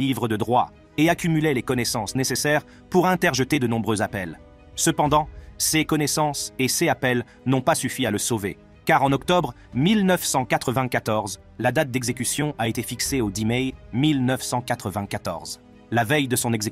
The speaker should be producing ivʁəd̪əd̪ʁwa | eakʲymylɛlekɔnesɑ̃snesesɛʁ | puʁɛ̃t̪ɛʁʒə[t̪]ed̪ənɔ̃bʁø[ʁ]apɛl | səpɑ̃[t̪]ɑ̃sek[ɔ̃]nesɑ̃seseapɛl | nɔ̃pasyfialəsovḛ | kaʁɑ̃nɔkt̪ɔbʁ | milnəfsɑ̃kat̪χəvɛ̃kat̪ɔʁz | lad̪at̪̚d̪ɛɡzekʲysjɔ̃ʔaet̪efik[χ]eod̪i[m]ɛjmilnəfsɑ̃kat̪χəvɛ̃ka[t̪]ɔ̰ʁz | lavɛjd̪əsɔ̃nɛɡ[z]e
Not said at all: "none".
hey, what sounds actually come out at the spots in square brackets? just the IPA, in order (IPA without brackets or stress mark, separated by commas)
t̪, z, d̪, ɔ, s, m, t̪, z